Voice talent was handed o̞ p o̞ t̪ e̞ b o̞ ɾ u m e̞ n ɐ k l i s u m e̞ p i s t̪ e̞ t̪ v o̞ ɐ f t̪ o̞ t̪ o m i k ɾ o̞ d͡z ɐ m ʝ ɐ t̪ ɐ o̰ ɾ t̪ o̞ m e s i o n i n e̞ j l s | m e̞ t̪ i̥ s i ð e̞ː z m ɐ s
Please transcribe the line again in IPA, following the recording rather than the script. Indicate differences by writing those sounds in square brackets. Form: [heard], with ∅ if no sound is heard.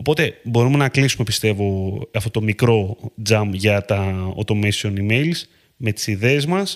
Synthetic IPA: o̞ p o̞ t̪ e̞ b o̞ ɾ u m e̞ n ɐ k l i s u m e̞ p i s t̪ e̞ [∅] v o̞ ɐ f t̪ o̞ t̪ o m i k ɾ o̞ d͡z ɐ m ʝ ɐ t̪ ɐ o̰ [∅] t̪ o̞ m e s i o n i [m] e̞ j l s | m e̞ t̪ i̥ s i ð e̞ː z m ɐ s